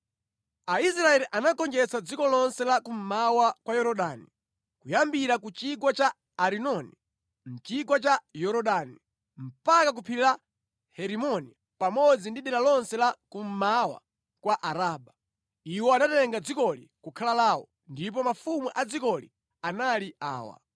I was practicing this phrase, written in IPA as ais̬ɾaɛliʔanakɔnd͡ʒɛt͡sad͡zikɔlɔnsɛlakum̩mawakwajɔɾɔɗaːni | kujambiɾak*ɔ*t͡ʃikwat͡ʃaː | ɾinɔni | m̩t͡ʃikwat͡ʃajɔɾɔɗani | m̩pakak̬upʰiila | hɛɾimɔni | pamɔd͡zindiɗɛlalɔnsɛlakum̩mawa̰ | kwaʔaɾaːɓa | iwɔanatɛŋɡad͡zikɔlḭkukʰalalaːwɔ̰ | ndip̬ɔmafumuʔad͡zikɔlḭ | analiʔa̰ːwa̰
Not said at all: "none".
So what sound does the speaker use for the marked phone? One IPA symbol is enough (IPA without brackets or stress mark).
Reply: u